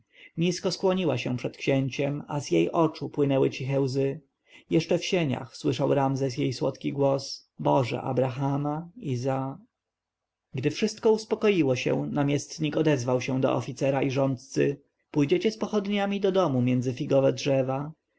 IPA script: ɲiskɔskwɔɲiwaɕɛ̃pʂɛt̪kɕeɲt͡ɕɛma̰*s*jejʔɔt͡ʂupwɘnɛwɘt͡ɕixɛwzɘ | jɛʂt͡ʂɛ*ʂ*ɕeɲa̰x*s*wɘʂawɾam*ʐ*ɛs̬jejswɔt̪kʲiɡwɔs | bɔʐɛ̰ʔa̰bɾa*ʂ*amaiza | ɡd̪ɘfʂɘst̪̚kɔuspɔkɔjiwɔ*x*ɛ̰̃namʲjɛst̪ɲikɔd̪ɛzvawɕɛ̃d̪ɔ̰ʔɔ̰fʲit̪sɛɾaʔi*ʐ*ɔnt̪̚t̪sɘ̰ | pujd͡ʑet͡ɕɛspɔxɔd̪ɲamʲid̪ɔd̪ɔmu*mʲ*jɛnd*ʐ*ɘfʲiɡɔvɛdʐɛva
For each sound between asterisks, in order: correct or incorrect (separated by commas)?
incorrect, incorrect, correct, incorrect, incorrect, incorrect, correct, correct, incorrect